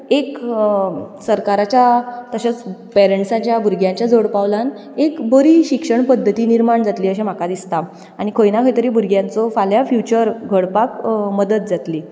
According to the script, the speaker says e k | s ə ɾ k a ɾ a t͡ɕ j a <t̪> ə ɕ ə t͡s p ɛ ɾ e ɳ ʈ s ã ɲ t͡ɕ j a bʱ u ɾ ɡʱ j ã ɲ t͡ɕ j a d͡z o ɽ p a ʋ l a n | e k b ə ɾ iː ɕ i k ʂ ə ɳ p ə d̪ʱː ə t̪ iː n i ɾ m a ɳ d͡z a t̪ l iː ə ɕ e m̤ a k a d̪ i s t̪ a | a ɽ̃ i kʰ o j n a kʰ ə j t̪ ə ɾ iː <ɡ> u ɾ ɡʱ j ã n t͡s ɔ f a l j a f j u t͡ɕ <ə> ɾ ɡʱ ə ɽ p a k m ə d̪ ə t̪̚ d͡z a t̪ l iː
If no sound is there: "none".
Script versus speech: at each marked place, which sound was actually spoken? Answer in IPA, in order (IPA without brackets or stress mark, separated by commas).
t̪, b, ə